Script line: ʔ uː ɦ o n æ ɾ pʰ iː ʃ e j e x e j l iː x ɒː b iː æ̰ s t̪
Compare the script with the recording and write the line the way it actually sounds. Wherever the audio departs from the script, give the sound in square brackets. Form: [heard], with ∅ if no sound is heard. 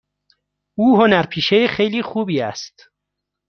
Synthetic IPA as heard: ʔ uː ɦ o n æ ɾ pʰ iː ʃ e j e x e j l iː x [uː] b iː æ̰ s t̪